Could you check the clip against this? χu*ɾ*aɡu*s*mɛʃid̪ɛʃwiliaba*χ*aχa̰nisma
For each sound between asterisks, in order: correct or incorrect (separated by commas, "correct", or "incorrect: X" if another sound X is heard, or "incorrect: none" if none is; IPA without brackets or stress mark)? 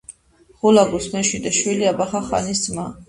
incorrect: l, correct, correct